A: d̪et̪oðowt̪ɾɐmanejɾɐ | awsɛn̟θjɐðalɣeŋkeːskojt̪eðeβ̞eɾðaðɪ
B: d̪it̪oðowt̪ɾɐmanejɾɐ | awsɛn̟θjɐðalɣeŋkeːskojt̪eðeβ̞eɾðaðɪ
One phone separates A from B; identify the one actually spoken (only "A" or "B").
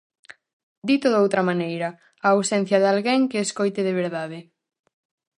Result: B